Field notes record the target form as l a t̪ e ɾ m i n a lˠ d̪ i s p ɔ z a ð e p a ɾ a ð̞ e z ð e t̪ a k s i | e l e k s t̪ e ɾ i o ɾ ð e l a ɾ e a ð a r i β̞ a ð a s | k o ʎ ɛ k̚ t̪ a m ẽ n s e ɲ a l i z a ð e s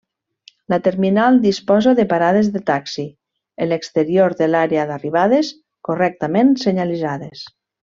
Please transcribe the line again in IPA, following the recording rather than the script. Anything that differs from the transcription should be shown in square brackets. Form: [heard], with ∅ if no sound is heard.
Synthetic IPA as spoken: l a t̪ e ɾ m i n a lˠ d̪ i s p ɔ z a ð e p a ɾ a ð̞ e z ð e t̪ a k s i | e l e k s t̪ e ɾ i o ɾ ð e l a ɾ e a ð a r i β̞ a ð [e] s | k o [r] ɛ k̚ t̪ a m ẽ n s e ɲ a l i z a ð e s